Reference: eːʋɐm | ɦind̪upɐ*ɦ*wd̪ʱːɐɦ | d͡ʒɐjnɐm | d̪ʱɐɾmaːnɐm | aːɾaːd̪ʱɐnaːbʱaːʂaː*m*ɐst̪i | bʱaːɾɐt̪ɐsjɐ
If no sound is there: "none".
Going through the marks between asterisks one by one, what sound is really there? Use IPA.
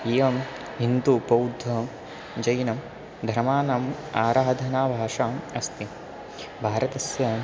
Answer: none, m

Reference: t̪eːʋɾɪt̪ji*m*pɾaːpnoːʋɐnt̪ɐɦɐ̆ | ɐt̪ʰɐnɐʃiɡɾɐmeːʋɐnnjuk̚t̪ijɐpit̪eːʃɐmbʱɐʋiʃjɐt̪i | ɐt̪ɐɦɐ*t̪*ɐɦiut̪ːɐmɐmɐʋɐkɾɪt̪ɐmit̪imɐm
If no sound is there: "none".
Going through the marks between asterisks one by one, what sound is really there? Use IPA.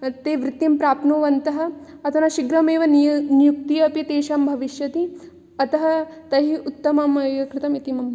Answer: m, t̪

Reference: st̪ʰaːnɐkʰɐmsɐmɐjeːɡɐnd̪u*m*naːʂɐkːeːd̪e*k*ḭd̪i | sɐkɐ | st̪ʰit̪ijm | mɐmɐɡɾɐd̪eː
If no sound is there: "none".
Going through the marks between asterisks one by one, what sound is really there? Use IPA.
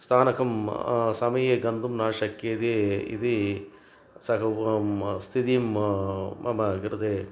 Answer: m, none

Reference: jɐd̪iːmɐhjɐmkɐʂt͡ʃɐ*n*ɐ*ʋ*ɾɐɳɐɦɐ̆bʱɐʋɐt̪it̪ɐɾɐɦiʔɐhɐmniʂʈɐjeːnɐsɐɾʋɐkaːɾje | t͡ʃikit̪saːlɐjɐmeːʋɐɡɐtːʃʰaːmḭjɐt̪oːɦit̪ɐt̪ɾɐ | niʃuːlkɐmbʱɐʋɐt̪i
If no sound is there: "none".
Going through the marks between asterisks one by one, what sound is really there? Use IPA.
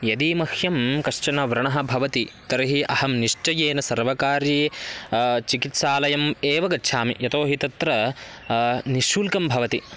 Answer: n, ʋ

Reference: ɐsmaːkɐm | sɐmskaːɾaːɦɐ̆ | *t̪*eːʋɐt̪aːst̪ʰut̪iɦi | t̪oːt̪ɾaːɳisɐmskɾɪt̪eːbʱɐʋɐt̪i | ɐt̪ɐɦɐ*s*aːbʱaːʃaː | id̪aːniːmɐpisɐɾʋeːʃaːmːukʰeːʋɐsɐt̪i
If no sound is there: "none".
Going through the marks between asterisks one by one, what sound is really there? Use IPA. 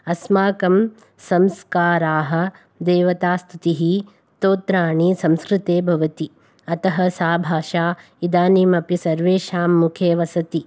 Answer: d̪, s

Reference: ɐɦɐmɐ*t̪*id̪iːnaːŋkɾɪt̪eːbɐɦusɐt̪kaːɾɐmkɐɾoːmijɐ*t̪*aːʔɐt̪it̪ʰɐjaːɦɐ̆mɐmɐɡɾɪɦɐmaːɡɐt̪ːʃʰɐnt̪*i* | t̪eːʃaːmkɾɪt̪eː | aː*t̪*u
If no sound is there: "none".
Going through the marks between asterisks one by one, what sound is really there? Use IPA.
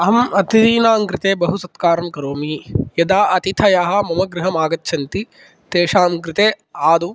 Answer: t̪, d̪, i, d̪

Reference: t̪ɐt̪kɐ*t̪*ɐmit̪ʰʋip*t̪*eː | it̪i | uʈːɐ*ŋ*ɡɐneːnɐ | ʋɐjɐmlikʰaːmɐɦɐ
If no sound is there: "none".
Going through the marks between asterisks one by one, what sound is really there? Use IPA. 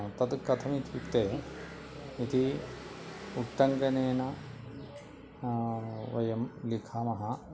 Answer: t̪ʰ, t̪, ŋ

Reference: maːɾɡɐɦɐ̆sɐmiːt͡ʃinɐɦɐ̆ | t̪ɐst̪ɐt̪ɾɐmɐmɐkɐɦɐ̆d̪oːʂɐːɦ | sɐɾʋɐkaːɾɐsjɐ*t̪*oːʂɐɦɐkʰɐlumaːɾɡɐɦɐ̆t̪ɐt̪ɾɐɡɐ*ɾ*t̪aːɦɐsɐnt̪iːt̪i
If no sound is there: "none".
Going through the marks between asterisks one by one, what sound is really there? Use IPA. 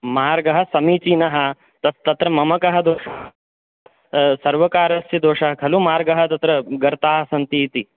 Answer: d̪, ɾ

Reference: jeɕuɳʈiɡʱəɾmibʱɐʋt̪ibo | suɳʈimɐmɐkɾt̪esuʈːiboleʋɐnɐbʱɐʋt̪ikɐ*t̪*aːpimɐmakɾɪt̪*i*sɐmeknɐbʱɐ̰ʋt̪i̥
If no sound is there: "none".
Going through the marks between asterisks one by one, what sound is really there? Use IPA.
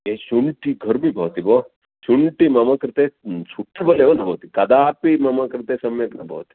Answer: d̪, e

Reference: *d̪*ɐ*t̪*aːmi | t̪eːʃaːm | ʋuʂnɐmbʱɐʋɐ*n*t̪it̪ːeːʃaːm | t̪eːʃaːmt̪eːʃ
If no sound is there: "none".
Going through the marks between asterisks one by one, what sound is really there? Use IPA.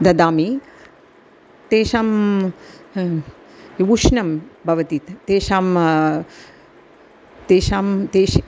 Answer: d̪, d̪, none

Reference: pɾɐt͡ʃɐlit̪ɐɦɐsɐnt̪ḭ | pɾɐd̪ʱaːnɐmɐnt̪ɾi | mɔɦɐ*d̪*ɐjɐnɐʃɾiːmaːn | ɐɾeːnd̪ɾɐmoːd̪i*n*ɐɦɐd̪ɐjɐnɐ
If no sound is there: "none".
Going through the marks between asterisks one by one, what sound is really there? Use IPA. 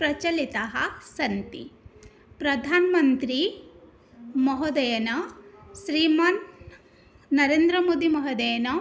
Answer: d̪, m

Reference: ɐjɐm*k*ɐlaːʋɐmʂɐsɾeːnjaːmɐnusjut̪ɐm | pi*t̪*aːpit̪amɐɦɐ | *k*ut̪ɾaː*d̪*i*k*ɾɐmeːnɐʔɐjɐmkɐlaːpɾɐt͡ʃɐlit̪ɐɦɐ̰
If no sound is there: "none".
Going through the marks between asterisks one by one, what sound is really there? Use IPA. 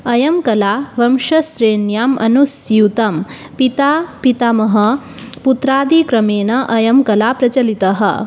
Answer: k, t̪, p, d̪, k

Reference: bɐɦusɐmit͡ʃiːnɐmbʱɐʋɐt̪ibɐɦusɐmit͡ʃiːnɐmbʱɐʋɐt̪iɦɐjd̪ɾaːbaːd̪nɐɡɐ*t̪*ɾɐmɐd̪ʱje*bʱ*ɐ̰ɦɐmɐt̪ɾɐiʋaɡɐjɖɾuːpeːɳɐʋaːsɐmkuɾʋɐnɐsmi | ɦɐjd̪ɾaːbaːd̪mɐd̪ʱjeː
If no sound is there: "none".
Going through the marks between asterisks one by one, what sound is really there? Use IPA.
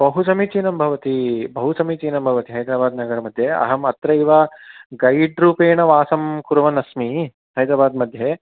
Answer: none, none

